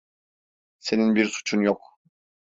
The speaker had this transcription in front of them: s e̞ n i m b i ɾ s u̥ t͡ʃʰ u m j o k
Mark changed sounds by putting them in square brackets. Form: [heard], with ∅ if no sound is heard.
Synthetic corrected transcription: s e̞ n i [n] b i ɾ s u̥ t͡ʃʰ u [n] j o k